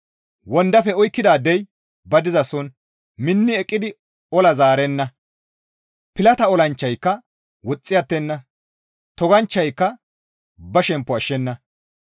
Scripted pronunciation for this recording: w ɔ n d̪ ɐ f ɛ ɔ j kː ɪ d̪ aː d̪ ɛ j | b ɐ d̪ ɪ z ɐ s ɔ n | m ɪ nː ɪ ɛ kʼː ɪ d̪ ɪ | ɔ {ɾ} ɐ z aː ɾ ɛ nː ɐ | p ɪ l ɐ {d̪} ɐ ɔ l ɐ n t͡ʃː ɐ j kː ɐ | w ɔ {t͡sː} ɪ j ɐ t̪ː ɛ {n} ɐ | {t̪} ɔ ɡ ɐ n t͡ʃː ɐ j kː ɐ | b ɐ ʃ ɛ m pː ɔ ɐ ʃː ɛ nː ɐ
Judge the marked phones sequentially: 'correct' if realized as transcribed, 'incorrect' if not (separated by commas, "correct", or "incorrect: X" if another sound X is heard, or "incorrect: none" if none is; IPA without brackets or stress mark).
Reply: incorrect: l, incorrect: t̪, incorrect: t͡sʼː, incorrect: nː, correct